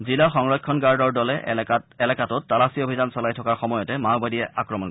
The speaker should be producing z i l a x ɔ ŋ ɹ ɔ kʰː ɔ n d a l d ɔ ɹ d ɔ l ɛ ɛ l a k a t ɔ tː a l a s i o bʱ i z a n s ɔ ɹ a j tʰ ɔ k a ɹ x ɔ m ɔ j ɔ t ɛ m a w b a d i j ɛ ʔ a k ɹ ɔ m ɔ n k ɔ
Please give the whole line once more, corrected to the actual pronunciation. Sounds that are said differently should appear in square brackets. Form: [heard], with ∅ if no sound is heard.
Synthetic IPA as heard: z i l a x ɔ ŋ ɹ ɔ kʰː ɔ n [ɡ] a [ɹ] d ɔ ɹ d ɔ l ɛ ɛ l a k a t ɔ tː a l a s i o bʱ i z a n s ɔ [l] a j tʰ ɔ k a ɹ x ɔ m ɔ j ɔ t ɛ m a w b a d i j ɛ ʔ a k ɹ ɔ m ɔ n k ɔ